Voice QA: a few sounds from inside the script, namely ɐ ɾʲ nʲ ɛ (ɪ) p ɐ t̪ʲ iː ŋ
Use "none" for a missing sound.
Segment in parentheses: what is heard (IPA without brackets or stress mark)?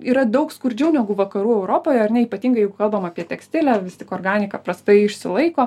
i